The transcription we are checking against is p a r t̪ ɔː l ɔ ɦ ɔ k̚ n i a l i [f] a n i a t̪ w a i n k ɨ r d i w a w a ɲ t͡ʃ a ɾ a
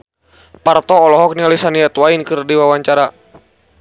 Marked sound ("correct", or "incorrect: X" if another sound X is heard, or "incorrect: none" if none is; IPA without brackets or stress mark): incorrect: s